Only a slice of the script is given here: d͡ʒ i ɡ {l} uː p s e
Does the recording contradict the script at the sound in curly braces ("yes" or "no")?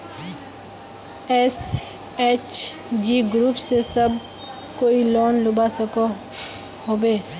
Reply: yes